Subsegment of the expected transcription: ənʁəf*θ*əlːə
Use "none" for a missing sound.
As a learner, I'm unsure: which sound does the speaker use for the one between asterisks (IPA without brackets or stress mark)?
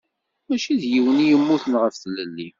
θ